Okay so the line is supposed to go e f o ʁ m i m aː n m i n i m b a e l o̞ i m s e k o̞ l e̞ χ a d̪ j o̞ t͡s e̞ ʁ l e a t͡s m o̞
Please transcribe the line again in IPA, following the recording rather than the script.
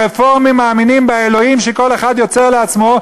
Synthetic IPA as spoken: e f o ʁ m i m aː m i n i m b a e l o̞ i m ʃ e k o̞ l e̞ χ a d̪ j o̞ t͡s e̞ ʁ l e a t͡s m o̞